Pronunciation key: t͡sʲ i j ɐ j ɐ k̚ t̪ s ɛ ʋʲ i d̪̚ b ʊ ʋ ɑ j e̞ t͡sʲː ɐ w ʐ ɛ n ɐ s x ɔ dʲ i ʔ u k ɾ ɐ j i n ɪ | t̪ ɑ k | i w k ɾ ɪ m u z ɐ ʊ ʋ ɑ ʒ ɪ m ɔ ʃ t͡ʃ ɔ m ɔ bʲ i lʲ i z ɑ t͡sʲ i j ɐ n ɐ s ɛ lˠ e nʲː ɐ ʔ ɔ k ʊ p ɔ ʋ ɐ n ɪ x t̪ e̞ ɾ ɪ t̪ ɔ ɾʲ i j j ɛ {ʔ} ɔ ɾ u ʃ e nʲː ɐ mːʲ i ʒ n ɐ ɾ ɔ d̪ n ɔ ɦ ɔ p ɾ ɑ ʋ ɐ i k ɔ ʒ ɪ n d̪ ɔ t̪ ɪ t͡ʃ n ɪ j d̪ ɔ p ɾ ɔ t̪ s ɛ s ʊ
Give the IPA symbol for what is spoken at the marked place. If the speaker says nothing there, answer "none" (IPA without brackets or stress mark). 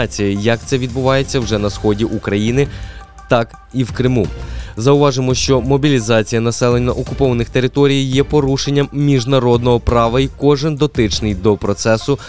p